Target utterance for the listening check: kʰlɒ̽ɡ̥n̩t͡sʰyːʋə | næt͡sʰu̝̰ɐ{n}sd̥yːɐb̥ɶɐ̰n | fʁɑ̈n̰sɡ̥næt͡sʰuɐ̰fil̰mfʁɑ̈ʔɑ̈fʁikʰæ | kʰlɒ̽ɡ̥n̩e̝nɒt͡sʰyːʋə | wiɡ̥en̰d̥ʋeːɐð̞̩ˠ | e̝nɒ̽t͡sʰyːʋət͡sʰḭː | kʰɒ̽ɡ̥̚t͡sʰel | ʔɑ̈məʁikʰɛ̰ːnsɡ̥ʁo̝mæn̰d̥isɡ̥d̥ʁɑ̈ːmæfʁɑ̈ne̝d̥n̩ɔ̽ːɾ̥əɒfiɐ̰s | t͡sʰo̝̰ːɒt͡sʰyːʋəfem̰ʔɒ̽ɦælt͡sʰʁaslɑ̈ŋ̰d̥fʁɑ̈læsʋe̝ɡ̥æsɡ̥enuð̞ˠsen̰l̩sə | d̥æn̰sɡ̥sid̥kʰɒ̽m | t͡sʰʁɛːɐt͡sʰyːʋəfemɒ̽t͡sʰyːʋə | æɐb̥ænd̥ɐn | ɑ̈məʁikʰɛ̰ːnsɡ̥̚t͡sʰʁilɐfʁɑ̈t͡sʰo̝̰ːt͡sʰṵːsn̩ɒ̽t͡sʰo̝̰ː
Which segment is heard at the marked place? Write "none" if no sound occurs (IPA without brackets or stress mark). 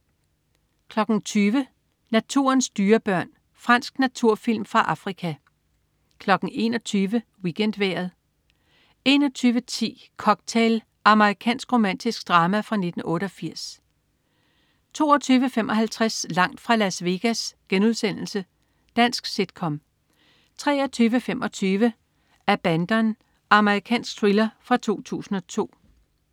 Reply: n